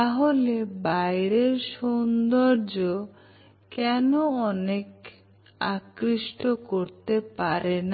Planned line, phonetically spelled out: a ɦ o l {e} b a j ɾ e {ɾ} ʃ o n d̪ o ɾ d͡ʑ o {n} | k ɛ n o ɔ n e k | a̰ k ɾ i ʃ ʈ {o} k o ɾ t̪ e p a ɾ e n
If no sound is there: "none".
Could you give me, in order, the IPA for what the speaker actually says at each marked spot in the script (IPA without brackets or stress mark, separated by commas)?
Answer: e, ɾ, none, o